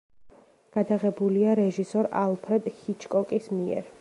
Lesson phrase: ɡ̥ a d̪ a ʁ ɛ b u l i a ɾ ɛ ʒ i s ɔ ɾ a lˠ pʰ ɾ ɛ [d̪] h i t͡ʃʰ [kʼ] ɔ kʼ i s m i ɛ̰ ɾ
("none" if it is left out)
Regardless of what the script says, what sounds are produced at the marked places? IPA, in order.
d̪, kʼ

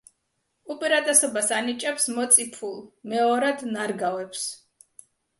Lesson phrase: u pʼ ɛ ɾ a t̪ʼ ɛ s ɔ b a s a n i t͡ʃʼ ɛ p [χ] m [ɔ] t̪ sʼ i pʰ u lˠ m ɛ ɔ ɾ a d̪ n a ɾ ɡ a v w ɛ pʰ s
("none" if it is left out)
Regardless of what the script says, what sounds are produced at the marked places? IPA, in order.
s, ɔ

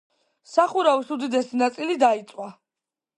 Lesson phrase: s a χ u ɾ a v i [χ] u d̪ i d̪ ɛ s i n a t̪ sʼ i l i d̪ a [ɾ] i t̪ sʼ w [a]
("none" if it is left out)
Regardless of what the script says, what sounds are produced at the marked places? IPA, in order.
s, none, a

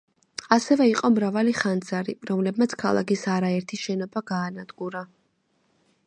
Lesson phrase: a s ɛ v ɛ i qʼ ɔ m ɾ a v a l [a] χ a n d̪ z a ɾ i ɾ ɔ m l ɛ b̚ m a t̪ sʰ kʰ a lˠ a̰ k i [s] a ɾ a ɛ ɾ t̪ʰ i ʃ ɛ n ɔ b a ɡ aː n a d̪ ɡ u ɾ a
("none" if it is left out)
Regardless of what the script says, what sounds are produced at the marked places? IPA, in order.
i, s

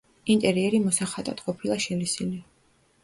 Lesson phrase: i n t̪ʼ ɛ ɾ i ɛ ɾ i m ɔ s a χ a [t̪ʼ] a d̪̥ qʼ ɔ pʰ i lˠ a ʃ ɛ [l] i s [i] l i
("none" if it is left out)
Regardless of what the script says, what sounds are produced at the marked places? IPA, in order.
t̪ʼ, l, i

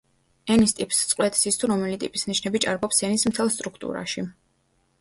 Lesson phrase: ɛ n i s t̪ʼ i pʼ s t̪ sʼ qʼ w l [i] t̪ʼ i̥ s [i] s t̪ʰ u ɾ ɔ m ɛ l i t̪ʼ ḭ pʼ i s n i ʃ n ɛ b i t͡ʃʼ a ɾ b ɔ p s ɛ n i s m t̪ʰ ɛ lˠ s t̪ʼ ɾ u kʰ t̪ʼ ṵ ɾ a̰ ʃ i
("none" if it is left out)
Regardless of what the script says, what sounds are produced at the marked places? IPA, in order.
ɛ, i

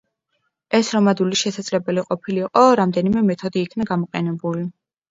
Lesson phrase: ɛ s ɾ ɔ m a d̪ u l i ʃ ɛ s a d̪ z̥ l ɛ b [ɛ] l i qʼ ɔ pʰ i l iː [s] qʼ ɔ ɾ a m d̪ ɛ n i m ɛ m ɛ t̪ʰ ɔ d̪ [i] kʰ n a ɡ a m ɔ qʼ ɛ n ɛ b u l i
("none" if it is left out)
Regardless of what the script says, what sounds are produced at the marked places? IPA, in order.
ɛ, none, iː

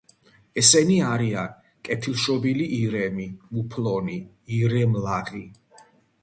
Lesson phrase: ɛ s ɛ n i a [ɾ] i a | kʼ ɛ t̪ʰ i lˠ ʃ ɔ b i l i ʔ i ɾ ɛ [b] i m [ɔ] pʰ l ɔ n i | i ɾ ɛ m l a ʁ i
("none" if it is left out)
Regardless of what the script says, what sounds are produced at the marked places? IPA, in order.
ɾ, m, u

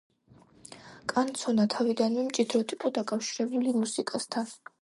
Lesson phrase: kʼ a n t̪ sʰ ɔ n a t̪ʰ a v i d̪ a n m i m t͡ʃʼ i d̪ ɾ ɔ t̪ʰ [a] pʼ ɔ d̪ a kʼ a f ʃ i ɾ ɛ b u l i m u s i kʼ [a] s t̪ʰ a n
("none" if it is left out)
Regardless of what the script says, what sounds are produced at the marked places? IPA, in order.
i, a

